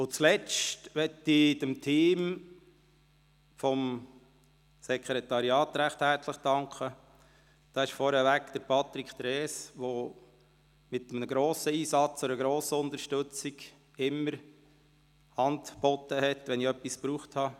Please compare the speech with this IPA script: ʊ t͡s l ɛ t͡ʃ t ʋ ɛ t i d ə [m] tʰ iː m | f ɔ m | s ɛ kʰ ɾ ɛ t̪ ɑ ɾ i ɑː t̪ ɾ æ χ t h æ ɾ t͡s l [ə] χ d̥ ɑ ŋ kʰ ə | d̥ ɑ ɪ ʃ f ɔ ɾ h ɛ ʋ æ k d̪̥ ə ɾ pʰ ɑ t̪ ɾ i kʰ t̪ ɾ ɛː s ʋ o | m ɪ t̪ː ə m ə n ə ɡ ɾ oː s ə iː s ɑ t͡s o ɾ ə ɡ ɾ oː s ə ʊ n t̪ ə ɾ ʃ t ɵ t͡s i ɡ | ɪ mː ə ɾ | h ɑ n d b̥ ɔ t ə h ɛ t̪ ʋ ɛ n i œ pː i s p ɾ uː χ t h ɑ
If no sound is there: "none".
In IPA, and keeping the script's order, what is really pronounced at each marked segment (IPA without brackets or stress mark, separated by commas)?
m, ə